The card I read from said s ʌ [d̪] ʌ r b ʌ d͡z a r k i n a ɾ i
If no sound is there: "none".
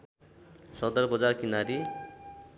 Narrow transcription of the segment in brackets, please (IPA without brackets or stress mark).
d̪